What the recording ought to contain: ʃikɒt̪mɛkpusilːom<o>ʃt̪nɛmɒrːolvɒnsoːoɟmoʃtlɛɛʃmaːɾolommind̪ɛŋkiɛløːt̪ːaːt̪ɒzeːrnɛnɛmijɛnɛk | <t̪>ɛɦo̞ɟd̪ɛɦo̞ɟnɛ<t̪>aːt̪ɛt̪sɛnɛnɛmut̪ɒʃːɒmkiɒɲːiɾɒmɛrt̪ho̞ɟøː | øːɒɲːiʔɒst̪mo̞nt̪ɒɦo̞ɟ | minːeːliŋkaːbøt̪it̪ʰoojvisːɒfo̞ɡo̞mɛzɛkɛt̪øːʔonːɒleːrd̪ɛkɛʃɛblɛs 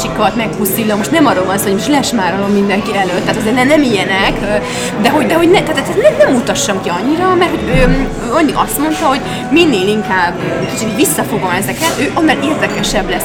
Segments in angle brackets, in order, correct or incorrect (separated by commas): correct, incorrect, correct